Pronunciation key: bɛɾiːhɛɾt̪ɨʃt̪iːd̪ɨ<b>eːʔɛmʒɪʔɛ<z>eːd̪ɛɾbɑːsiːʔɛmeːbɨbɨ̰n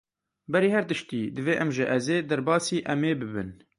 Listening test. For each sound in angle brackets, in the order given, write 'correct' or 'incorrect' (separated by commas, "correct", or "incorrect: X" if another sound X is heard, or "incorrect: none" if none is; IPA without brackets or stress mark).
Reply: incorrect: v, correct